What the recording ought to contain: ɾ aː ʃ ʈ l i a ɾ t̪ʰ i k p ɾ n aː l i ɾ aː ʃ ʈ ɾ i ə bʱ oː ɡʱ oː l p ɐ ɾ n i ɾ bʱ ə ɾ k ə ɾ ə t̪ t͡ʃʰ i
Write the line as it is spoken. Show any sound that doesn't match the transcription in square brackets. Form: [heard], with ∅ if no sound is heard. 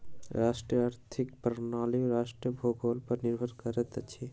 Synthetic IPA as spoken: ɾ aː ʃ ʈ [ɾ] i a ɾ t̪ʰ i k p ɾ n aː l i ɾ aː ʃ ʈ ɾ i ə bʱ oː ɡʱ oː l p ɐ ɾ n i ɾ bʱ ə ɾ k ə ɾ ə t̪ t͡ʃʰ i